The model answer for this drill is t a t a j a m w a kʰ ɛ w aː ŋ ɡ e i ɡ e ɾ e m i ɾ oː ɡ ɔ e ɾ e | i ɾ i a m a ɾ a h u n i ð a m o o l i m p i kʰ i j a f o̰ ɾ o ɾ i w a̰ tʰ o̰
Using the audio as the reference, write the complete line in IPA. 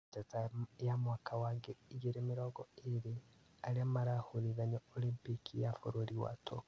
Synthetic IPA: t a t a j a m w a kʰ a w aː ŋ ɡ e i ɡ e ɾ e m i ɾ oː ɡ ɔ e ɾ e | a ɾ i a m a ɾ a h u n i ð a ɲ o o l i m p i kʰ i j a f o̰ ɾ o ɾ i w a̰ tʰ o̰

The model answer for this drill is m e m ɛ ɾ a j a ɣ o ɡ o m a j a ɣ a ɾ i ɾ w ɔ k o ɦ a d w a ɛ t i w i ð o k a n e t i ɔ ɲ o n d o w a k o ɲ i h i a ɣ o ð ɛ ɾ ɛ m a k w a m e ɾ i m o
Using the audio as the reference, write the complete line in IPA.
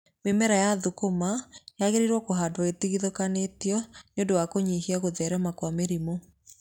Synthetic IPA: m e m ɛ ɾ a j a ð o k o m a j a ɣ e ɾ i ɾ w ɔ k o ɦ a d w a e t i ɣ i ð o k a n e t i ɔ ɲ o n d o w a k o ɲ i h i a ɣ o ð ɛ ɾ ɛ m a k w a m e ɾ i m o

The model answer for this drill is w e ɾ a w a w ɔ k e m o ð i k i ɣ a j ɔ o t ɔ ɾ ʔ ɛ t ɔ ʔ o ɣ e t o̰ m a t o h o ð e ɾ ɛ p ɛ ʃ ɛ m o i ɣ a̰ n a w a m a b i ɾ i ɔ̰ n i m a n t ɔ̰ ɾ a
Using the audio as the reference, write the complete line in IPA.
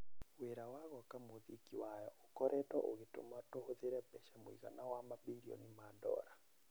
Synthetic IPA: w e ɾ a w a ɣ ɔ k a m o ð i k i w a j ɔ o k ɔ ɾ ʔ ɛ t ɔ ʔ o ɣ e t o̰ m a t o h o ð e ɾ ɛ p ɛ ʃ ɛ m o i ɣ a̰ n a w a m a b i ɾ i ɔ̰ n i m a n d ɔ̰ ɾ a

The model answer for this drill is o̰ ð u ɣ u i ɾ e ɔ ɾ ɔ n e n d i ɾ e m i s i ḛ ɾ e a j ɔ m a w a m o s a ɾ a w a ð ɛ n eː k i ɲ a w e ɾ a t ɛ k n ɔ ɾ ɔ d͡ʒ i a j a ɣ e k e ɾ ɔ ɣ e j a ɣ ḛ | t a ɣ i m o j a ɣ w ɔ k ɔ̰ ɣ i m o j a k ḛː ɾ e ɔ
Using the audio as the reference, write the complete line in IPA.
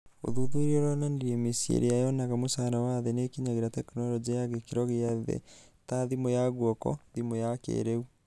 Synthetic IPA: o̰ ð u ð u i ɾ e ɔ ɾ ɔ n a n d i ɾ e m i s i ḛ ɾ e a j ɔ n a ɣ a m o s a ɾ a w a ð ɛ n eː k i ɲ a ɣ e ɾ a t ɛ k n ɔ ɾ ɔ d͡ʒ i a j a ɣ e k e ɾ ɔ ɣ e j a ð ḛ | t a ð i m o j a ɣ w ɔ k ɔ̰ ð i m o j a k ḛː ɾ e u

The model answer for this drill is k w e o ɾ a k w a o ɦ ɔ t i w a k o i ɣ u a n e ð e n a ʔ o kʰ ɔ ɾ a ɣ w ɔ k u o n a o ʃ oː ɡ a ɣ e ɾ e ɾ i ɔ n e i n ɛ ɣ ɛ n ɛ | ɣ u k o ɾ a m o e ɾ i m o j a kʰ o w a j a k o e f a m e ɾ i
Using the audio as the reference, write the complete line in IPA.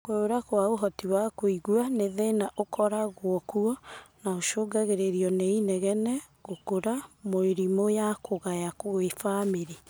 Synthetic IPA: k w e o ɾ a k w a o ɦ ɔ t i w a k o i ɣ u a n e ð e n a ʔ o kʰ ɔ ɾ a ɣ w ɔ k u ɔ n a o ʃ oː ɡ a ɣ e ɾ e ɾ i ɔ n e i n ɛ ɣ ɛ n ɛ | ɣ o k o ɾ a m o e ɾ i m o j a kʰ o ɣ a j a k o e f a m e ɾ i

